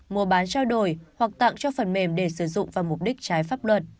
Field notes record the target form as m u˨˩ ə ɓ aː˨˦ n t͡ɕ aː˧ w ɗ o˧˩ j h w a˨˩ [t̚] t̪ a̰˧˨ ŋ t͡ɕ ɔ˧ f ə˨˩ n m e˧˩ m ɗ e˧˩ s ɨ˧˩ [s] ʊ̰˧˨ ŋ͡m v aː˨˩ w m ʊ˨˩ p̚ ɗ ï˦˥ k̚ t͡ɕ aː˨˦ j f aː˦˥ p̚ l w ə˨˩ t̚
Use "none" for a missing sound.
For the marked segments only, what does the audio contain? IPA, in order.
k̚, z

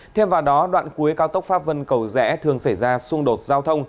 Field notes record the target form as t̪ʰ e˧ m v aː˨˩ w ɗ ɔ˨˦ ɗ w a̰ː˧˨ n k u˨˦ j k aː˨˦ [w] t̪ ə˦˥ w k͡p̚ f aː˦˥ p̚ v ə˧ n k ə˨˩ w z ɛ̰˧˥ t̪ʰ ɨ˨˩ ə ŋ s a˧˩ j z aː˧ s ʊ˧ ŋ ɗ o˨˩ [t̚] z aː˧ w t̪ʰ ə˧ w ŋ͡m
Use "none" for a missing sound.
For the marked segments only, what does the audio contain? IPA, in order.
w, t̚

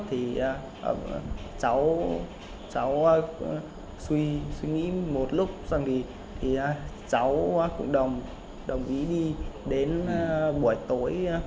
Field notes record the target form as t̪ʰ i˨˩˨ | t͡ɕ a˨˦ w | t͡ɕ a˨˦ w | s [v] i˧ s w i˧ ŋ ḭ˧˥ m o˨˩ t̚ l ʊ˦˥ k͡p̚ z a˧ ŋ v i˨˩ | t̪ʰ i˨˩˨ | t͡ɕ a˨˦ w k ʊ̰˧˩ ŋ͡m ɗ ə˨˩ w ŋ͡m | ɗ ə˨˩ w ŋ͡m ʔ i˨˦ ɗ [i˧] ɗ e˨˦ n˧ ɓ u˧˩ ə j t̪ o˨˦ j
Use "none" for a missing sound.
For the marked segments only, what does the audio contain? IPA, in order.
w, i˧

